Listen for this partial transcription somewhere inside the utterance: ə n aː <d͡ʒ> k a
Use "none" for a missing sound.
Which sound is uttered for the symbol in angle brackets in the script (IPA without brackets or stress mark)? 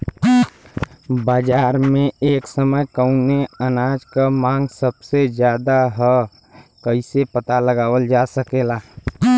d͡ʒ